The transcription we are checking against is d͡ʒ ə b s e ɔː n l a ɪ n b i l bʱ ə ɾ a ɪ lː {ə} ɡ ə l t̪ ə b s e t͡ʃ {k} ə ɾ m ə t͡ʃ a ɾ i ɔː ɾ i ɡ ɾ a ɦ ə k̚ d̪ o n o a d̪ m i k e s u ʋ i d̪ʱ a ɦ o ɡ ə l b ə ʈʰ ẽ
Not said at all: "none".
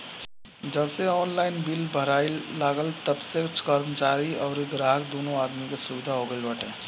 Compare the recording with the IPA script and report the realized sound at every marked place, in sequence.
a, k

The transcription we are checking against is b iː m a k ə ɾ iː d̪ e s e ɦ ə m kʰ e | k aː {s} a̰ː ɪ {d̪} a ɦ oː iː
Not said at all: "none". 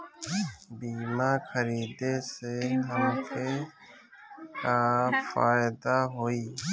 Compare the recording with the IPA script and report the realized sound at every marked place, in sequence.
f, d̪

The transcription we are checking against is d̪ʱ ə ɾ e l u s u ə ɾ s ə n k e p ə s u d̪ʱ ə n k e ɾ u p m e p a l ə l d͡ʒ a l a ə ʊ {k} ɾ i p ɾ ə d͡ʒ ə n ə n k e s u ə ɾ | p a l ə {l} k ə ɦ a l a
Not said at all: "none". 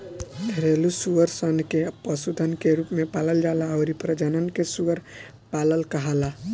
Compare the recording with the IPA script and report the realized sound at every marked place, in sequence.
none, l

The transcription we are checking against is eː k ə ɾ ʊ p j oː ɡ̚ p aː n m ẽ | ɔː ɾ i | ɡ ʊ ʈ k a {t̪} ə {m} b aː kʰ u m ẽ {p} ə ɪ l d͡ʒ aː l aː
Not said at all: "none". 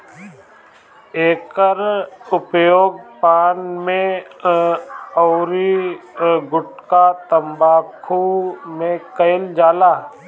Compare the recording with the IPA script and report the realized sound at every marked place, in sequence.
t̪, m, k

